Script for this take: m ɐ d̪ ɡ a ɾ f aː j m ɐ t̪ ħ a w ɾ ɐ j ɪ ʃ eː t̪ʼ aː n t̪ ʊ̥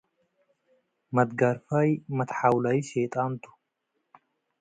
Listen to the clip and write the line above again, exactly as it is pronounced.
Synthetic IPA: m ɐ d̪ ɡ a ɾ f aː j m ɐ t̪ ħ a w l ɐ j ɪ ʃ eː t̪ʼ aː n t̪ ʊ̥